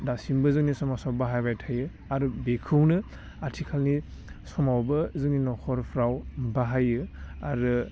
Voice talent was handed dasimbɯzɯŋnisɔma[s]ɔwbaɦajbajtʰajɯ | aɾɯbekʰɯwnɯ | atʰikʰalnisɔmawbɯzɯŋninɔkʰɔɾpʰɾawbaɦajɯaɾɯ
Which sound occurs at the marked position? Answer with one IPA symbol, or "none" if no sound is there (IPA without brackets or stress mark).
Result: s